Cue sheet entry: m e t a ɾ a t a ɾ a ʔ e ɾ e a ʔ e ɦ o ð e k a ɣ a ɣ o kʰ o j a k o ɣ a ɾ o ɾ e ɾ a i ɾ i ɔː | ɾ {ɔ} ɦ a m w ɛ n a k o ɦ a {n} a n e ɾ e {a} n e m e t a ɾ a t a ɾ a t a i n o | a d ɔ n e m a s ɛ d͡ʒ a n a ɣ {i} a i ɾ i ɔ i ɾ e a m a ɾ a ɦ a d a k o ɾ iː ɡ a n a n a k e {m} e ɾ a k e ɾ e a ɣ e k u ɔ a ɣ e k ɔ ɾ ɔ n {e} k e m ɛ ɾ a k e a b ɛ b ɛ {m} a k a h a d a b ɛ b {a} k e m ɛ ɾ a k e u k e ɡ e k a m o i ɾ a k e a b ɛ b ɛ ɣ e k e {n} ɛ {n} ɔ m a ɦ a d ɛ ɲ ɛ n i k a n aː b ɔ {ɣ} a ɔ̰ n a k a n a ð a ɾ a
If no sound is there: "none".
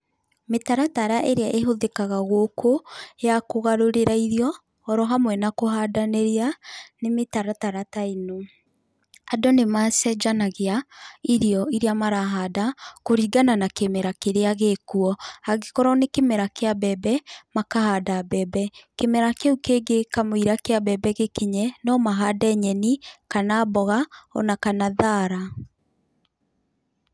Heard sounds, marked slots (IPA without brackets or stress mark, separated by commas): ɔ, d, a, e, m, e, m, ɛ, ɲ, n, ɣ